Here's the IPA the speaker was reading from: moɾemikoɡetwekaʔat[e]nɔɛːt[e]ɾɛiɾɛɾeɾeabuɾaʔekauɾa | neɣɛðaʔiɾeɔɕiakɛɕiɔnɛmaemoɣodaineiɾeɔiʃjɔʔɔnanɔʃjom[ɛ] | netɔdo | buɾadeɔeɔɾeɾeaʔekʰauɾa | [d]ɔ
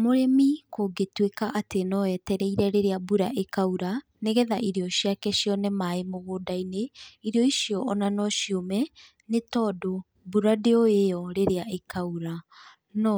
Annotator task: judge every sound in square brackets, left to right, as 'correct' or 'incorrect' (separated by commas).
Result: correct, incorrect, correct, incorrect